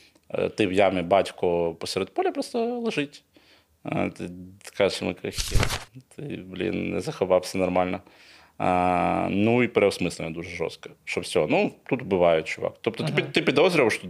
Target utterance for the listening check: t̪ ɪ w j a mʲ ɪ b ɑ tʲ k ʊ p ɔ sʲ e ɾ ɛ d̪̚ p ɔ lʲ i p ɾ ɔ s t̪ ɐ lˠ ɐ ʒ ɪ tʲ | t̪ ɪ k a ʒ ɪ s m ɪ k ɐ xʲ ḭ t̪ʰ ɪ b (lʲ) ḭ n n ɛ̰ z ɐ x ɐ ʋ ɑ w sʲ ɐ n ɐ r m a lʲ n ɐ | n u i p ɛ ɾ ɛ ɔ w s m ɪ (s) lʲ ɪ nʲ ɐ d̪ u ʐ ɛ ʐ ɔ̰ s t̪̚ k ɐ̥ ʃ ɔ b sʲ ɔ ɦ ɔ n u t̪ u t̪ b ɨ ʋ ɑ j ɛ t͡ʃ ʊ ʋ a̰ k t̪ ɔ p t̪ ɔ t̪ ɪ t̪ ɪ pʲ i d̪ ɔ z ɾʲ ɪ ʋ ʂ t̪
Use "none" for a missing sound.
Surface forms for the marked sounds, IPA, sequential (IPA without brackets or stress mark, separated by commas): lʲ, s